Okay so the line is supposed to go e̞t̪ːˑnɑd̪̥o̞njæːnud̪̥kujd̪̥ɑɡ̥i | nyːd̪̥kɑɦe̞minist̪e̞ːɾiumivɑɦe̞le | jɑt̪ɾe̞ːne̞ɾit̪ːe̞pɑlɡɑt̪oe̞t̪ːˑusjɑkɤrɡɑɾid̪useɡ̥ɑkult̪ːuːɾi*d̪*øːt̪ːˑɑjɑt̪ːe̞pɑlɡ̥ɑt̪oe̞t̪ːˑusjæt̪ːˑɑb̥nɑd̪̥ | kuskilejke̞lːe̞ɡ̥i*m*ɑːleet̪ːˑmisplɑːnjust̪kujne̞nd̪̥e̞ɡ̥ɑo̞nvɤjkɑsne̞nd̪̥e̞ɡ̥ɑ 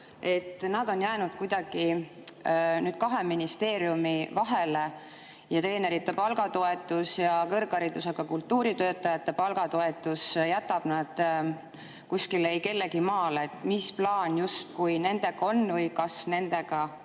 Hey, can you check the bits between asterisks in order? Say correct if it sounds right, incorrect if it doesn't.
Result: incorrect, correct

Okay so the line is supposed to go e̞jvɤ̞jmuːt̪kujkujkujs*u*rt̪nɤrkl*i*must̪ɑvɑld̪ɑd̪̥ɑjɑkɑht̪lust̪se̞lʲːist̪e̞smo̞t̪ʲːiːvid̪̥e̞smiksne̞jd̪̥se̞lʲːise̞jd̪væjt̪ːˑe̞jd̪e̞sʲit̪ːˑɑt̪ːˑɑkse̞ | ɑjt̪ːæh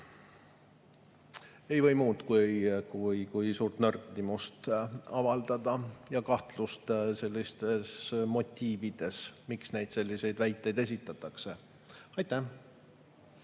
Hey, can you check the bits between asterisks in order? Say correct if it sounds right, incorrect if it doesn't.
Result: incorrect, correct

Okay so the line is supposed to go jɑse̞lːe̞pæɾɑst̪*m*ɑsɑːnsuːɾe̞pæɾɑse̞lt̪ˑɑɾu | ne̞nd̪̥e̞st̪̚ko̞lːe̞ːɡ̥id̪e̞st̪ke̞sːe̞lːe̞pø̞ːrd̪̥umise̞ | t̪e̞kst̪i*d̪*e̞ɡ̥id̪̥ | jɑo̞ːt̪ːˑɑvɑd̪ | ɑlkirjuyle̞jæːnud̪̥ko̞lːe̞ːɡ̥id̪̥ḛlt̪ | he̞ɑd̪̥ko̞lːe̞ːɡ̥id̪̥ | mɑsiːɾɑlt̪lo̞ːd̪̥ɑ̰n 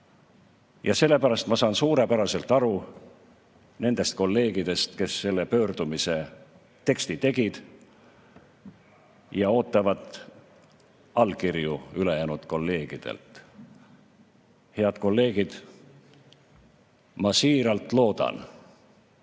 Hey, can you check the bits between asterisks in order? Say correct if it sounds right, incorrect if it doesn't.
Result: correct, incorrect

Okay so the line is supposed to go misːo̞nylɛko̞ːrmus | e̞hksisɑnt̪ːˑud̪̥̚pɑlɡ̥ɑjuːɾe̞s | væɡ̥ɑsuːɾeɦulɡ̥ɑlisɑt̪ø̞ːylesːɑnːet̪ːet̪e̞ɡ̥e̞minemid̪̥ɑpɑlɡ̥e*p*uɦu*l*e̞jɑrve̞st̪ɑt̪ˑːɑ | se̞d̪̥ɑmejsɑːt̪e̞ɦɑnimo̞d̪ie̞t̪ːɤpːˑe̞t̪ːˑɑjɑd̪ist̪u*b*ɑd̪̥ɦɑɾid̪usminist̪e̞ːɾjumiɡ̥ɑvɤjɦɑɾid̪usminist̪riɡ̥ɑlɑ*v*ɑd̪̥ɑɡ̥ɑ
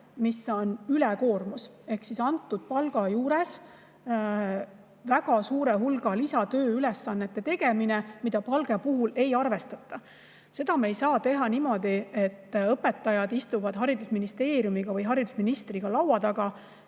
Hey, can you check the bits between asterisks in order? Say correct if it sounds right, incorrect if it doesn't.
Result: correct, correct, incorrect, incorrect

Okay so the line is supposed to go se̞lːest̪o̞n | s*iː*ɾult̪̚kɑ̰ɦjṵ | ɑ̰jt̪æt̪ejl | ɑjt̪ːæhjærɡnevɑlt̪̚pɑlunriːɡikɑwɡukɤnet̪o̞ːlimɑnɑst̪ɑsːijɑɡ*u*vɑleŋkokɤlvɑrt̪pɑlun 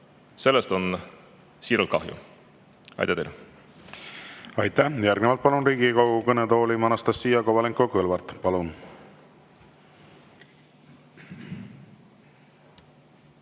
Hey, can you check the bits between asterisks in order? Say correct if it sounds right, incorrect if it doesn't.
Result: correct, incorrect

